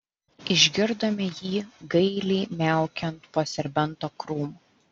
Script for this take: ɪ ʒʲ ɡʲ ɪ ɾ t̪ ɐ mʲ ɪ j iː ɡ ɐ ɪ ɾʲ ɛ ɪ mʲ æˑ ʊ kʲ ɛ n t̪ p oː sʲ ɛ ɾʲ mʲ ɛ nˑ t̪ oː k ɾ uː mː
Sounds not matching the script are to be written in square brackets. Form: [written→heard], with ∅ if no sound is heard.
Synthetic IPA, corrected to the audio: ɪ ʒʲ ɡʲ ɪ ɾ [t̪→d̪] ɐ mʲ ɪ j iː ɡ ɐ ɪ [ɾʲ→lʲ] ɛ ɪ mʲ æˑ ʊ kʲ ɛ n t̪ p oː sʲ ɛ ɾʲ [mʲ→bʲ] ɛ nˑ t̪ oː k ɾ uː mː